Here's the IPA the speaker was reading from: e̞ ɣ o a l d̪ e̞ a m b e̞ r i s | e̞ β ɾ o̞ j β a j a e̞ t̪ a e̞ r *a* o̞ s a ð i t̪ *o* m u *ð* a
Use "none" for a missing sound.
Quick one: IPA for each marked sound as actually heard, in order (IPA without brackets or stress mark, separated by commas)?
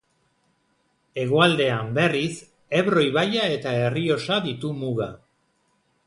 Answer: i, u, ɣ